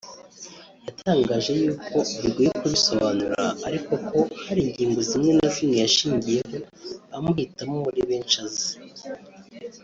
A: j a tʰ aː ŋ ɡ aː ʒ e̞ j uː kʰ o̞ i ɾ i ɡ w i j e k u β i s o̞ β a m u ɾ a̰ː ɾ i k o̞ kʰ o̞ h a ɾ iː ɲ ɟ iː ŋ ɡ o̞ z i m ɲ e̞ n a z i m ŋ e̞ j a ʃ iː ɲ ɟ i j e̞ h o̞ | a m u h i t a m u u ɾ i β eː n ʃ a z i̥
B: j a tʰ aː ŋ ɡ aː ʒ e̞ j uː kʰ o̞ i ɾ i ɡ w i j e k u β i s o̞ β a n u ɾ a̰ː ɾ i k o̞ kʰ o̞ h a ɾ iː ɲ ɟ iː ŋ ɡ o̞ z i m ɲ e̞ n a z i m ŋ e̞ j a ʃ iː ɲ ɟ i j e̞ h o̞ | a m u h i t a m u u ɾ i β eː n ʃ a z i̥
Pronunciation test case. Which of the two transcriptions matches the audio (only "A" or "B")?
B